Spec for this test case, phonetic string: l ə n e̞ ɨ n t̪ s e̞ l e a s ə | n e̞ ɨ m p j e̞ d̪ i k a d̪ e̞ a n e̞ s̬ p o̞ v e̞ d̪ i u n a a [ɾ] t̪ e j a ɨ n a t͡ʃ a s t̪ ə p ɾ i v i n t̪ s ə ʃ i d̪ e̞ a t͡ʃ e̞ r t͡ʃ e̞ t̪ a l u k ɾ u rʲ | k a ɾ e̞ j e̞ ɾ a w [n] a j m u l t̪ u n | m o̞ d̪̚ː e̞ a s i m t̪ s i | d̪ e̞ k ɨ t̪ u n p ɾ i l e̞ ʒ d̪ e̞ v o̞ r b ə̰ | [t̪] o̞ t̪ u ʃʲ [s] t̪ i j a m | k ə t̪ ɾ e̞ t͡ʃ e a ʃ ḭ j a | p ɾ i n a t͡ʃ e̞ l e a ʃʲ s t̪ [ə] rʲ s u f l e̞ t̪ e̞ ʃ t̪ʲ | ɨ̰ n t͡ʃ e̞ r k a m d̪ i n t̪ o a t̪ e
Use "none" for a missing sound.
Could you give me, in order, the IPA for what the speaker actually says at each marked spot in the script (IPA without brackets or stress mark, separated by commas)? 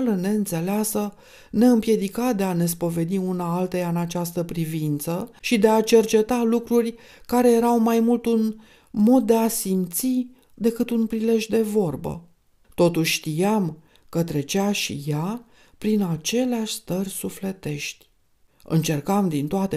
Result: l, m, t̪, ʃ, ə